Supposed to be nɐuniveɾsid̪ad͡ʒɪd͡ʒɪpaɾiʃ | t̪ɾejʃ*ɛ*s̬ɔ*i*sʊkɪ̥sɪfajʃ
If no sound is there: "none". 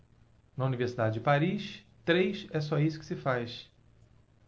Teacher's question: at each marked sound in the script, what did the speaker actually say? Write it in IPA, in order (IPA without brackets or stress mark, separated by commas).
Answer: ɛ, i